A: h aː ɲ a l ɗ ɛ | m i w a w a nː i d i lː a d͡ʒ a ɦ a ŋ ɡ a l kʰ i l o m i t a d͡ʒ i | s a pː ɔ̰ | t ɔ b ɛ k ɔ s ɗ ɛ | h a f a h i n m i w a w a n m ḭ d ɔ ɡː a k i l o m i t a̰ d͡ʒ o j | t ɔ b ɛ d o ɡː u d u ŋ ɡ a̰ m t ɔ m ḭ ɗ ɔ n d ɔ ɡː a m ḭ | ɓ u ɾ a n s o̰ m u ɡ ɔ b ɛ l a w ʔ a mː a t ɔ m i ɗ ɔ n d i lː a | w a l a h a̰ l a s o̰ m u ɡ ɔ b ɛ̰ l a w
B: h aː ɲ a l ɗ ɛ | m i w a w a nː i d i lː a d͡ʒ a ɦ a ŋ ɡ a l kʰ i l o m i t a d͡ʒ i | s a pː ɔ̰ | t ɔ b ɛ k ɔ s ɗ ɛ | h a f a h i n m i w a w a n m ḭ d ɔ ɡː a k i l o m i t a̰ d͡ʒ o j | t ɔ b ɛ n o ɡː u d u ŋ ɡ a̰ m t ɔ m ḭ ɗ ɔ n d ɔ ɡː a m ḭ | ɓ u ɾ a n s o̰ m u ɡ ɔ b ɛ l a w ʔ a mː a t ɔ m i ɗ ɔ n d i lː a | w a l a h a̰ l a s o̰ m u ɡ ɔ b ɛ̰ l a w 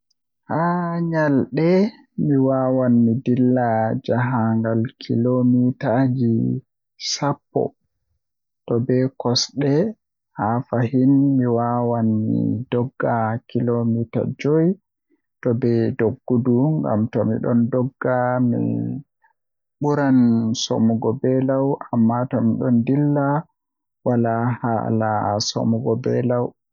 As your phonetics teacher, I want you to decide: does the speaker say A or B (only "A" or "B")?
A